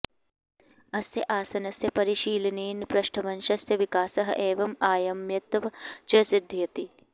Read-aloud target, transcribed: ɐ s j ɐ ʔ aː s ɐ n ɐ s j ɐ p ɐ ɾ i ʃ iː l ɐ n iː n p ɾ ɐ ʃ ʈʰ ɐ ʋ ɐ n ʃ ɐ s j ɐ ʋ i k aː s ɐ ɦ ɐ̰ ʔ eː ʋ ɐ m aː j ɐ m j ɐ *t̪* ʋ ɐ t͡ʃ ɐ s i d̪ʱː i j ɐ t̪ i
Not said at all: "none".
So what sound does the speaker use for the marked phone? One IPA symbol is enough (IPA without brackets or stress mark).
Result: t̪